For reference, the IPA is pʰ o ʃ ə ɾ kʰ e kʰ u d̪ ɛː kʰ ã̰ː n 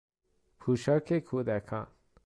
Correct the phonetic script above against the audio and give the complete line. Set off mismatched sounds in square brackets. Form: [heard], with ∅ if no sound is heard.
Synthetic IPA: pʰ [u] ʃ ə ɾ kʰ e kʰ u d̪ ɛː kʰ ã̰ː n